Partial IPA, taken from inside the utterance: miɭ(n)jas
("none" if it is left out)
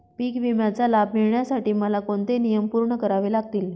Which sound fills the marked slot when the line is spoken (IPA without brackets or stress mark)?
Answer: ɳ